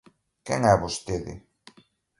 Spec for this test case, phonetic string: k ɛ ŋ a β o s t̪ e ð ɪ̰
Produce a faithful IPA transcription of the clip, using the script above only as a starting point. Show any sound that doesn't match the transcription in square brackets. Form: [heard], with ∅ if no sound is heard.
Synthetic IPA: k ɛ ŋ [ɛ] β o s t̪ e ð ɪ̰